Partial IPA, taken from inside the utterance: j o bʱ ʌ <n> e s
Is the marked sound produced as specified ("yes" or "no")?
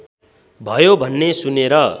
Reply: no